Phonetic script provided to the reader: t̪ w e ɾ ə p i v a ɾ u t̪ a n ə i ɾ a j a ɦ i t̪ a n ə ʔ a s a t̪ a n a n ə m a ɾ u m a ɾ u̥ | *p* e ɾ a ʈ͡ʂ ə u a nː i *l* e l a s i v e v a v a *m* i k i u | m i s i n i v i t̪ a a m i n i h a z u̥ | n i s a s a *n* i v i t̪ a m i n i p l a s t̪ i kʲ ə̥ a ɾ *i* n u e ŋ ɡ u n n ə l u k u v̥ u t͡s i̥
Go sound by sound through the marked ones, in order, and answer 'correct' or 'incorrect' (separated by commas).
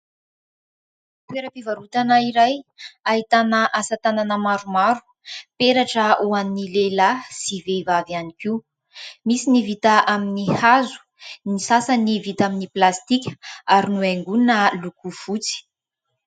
correct, correct, incorrect, correct, correct